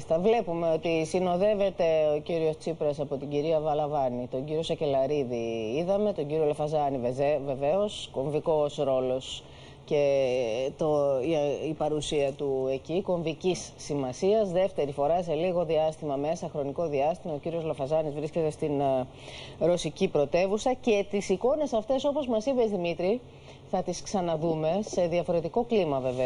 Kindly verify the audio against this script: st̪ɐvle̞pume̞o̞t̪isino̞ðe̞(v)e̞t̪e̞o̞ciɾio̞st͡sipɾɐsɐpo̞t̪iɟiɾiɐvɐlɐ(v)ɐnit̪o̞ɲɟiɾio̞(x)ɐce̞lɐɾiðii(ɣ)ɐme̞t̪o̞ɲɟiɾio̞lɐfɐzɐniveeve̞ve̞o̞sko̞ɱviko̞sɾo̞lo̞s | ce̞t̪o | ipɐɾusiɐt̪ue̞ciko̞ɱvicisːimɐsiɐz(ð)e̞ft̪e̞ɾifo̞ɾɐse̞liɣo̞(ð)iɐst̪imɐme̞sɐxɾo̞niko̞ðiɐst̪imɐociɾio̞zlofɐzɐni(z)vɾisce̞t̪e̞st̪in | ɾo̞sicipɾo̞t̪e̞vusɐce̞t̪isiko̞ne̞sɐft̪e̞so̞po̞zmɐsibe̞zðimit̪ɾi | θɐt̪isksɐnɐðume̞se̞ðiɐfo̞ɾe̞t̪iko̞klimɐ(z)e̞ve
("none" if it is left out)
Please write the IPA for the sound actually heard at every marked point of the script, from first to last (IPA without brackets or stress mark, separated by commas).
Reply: v, v, s, ð, ð, ð, z, v